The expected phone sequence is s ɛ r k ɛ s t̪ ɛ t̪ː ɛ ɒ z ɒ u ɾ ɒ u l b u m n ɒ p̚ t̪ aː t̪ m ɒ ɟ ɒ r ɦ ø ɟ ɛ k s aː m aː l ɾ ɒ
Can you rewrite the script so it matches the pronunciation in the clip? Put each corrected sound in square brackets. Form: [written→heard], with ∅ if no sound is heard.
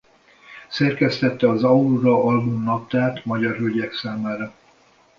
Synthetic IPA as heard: s ɛ r k ɛ s t̪ ɛ t̪ː ɛ ɒ z ɒ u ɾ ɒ [u→ɒ] l b u m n ɒ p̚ t̪ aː t̪ m ɒ ɟ ɒ r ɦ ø ɟ ɛ k s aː m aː [l→∅] ɾ ɒ

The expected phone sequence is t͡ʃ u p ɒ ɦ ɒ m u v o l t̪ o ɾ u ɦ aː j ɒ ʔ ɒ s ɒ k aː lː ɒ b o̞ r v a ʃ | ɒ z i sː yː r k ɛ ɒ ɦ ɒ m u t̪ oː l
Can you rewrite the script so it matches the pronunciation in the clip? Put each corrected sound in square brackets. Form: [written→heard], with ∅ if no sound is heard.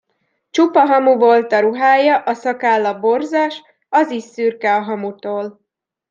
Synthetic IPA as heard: t͡ʃ u p ɒ ɦ ɒ m u v o l t̪ [o→ɒ] ɾ u ɦ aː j ɒ ʔ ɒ s ɒ k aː lː ɒ b o̞ r [v→z] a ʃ | ɒ z i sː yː r k ɛ ɒ ɦ ɒ m u t̪ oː l

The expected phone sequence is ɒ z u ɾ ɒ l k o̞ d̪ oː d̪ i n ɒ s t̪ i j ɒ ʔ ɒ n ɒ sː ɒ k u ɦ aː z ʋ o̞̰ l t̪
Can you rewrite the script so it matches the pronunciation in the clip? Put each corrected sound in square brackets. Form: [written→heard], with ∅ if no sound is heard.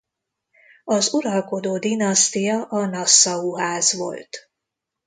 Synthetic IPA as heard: ɒ z u ɾ ɒ l k o̞ d̪ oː d̪ i n ɒ s t̪ i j ɒ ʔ ɒ n ɒ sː ɒ [k→∅] u ɦ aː z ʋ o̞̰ l t̪

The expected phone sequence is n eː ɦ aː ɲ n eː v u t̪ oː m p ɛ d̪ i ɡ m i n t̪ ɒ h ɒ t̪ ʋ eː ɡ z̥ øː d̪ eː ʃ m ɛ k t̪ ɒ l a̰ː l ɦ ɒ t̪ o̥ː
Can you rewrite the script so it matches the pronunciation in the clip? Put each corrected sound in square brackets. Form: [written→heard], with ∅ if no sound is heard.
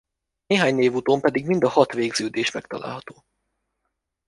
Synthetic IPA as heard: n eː ɦ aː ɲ n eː v u t̪ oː m p ɛ d̪ i ɡ m i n [t̪→d̪] ɒ h ɒ t̪ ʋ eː ɡ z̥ øː d̪ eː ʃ m ɛ k t̪ ɒ l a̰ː l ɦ ɒ t̪ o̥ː

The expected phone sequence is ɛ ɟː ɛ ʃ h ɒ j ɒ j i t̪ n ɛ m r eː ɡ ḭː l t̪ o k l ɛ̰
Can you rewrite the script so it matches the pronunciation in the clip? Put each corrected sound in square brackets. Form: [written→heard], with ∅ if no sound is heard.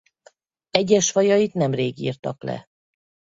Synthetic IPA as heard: ɛ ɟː ɛ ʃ [h→f] ɒ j ɒ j i t̪ n ɛ m r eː ɡ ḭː [l→r] t̪ [o→ɒ] k l ɛ̰

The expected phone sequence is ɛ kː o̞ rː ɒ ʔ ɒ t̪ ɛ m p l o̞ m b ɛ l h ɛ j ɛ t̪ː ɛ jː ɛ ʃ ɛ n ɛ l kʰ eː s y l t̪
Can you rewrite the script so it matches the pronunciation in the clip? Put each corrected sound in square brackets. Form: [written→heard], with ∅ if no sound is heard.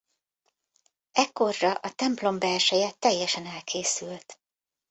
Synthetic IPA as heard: ɛ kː o̞ rː ɒ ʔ ɒ t̪ ɛ m p l o̞ m b ɛ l [h→ʃ] ɛ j ɛ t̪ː ɛ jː ɛ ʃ ɛ n ɛ l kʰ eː s y l t̪

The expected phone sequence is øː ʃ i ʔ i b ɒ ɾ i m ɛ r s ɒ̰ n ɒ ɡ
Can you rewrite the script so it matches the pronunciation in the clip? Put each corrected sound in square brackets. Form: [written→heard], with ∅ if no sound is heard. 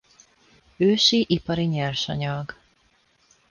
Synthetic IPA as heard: øː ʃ i ʔ i [b→p] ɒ ɾ i [m→ɲ] ɛ r [s→ʃ] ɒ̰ [n→ɲ] ɒ ɡ

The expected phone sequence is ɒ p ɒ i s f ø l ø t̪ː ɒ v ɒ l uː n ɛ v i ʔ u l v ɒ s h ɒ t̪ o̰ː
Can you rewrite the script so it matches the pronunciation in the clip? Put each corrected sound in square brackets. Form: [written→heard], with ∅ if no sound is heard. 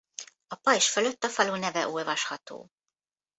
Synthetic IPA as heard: ɒ p ɒ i [s→ʃ] f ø l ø t̪ː ɒ [v→f] ɒ l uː n ɛ v [i→ɛ] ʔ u l v ɒ [s→ʃ] h ɒ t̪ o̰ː

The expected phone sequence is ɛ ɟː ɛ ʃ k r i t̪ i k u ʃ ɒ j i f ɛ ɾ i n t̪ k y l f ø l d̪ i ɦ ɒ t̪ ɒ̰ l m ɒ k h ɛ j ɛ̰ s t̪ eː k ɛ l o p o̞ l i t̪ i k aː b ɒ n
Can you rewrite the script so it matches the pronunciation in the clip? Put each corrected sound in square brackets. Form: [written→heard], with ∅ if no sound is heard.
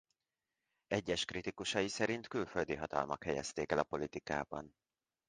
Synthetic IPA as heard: ɛ ɟː ɛ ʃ k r i t̪ i k u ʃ ɒ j i [f→s] ɛ ɾ i n t̪ k y l f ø l d̪ i ɦ ɒ t̪ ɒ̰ l m ɒ k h ɛ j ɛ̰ s t̪ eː k ɛ l [o→ɒ] p o̞ l i t̪ i k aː b ɒ n

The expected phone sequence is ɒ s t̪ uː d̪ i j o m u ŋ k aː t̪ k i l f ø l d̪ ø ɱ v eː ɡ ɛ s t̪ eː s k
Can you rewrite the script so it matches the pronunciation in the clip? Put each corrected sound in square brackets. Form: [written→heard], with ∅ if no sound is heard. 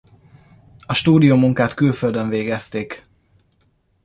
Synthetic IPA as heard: ɒ [s→ʃ] t̪ uː d̪ i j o m u ŋ k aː t̪ k [i→y] l f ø l d̪ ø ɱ v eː ɡ ɛ s t̪ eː [s→∅] k

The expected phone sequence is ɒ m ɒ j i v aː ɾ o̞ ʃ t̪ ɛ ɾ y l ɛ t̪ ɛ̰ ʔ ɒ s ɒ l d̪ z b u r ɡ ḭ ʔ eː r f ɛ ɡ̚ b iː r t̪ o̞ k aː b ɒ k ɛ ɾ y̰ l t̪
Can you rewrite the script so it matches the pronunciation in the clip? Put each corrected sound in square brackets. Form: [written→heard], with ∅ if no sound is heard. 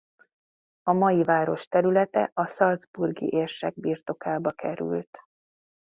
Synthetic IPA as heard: ɒ m ɒ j i v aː ɾ o̞ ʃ t̪ ɛ ɾ y l ɛ t̪ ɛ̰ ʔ ɒ s ɒ l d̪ z b u r ɡ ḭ ʔ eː r [f→ʃ] ɛ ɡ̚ b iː r t̪ o̞ k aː b ɒ k ɛ ɾ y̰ l t̪

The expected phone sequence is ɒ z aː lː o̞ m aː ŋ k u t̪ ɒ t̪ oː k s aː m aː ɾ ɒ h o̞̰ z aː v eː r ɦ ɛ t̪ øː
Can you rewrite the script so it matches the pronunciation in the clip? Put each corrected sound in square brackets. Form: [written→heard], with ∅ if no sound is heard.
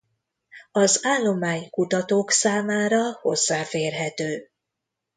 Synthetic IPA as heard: ɒ z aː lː o̞ m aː [ŋ→ɲ] k u t̪ ɒ t̪ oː k s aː m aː ɾ ɒ h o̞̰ [z→zː] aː [v→f] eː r ɦ ɛ t̪ øː

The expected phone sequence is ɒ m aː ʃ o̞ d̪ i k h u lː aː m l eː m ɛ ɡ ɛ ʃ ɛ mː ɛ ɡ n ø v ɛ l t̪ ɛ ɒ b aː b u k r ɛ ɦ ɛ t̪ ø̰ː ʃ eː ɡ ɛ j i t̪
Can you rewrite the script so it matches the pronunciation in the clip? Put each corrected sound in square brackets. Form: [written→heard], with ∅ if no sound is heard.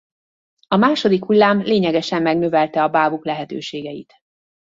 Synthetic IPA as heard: ɒ m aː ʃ o̞ d̪ i k h u lː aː m l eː [m→ɲ] ɛ ɡ ɛ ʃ ɛ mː ɛ ɡ n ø v ɛ l t̪ ɛ ɒ b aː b u k [r→l] ɛ ɦ ɛ t̪ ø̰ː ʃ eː ɡ ɛ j i t̪

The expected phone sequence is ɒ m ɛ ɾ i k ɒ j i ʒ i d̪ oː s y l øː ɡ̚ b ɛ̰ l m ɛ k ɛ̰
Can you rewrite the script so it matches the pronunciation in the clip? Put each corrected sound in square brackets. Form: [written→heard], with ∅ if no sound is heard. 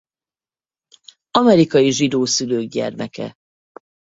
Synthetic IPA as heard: ɒ m ɛ ɾ i k ɒ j i ʒ i d̪ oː s y l øː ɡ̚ [b→ɟ] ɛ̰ [l→r] m ɛ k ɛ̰

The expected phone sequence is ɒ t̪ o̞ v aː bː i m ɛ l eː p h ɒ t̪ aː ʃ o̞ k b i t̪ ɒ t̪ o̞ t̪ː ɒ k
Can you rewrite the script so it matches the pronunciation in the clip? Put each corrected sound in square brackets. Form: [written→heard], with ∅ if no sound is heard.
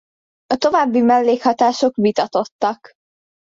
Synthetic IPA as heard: ɒ t̪ o̞ v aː bː i m ɛ [l→lː] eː [p→k] h ɒ t̪ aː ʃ o̞ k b i t̪ ɒ t̪ o̞ t̪ː ɒ k

